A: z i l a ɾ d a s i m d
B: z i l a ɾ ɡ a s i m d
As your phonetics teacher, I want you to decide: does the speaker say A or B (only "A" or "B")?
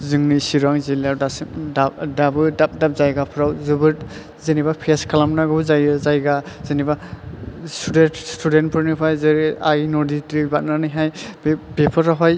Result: A